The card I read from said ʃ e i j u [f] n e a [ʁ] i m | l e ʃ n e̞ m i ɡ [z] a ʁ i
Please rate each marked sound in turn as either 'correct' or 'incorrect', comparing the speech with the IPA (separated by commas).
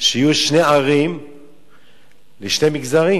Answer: incorrect, correct, correct